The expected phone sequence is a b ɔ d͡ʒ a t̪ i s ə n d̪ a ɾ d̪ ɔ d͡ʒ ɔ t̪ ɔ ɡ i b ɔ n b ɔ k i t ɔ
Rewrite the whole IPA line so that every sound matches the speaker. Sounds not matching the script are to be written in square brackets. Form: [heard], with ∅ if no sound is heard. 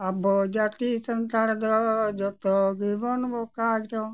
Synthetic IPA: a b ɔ d͡ʒ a t̪ i s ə n [t̪] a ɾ d̪ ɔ d͡ʒ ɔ t̪ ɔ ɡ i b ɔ n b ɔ k [a] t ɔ